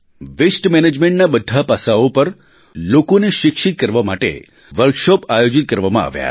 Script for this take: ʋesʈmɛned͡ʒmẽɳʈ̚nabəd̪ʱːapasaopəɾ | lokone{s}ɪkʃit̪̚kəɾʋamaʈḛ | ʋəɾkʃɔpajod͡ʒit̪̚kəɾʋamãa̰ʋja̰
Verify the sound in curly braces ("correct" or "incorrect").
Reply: incorrect